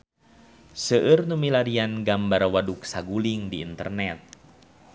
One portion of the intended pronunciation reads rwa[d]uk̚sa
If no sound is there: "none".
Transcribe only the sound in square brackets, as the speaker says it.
d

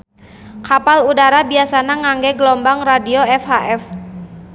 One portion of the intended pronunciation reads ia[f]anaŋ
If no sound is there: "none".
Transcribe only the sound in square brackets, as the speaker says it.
s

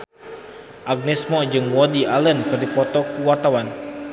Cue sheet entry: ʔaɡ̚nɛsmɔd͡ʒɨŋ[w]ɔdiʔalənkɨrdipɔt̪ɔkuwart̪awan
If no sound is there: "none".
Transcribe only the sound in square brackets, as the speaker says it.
w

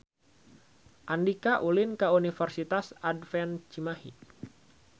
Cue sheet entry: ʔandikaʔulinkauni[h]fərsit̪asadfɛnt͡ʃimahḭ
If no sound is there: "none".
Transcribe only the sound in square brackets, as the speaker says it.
none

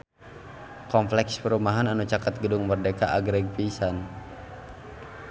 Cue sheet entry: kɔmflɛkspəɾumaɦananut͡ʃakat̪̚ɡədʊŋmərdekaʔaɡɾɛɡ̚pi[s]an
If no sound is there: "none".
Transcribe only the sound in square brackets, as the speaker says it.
s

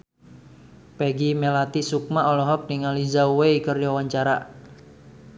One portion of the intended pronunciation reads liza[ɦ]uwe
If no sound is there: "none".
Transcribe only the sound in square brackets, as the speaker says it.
none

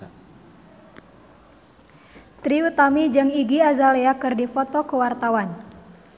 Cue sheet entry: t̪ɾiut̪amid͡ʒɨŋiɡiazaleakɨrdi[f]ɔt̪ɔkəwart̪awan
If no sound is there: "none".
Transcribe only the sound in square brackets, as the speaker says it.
f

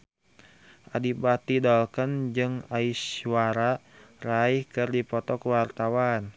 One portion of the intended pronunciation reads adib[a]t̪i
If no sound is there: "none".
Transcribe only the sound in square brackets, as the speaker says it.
a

